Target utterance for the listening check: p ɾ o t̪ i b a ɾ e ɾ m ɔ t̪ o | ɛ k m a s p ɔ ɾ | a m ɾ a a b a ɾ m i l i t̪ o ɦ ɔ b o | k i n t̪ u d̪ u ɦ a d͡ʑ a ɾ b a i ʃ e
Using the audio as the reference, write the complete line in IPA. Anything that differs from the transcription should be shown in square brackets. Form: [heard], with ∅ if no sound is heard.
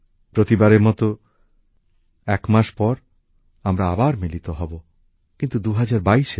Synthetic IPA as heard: p ɾ o t̪ i b a ɾ e ɾ m ɔ t̪ o | ɛ k m a [ʃ] p ɔ ɾ | a m ɾ a a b a ɾ m i l i t̪ o ɦ ɔ b o | k i n t̪ u d̪ u ɦ a d͡ʑ a ɾ b a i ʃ e